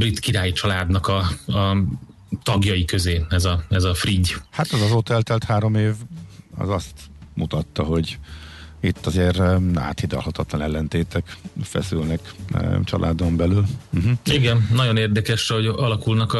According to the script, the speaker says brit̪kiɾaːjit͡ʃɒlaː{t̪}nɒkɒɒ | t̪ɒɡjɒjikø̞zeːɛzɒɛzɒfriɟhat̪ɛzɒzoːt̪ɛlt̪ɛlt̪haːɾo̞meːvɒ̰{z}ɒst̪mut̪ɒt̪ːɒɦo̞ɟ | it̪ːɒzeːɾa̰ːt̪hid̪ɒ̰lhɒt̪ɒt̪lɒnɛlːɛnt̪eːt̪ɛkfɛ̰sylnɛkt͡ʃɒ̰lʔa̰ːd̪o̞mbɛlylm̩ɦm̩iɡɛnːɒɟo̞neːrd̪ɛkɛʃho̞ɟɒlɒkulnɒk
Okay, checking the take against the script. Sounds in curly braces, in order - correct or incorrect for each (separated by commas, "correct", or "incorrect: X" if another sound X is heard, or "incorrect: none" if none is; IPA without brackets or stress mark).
incorrect: d̪, correct